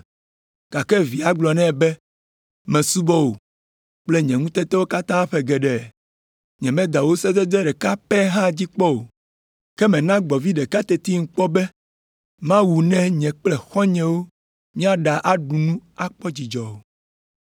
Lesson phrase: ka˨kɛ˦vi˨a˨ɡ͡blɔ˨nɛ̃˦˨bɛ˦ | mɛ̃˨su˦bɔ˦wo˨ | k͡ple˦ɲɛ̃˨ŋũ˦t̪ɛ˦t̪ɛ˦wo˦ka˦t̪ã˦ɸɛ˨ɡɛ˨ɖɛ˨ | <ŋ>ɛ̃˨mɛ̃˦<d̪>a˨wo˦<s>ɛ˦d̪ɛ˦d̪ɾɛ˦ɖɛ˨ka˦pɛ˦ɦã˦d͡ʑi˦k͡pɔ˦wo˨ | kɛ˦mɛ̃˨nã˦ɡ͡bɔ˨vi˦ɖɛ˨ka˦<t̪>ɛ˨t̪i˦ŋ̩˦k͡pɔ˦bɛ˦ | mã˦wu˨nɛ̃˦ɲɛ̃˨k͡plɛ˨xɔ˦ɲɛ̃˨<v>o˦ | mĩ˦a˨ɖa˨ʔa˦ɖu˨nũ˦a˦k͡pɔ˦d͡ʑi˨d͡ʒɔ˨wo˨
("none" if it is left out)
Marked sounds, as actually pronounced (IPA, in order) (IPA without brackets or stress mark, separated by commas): ɲ, d̪, s, t̪, w